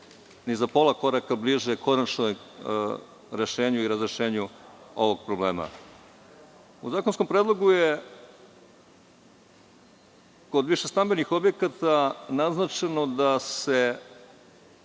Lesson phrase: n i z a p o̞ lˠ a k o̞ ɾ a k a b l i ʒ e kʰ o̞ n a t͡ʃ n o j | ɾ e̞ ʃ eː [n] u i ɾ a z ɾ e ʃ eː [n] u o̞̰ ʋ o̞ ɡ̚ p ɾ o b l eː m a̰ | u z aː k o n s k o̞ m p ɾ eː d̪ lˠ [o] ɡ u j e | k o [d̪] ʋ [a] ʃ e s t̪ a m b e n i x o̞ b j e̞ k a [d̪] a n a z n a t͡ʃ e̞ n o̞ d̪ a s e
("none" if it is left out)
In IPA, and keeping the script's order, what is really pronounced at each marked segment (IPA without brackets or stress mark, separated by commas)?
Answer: ɲ, ɲ, o, d̪, i, t̪